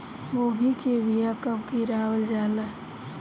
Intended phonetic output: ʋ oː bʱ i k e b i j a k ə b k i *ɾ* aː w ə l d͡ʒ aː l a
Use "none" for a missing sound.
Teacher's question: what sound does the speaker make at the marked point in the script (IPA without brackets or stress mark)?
ɾ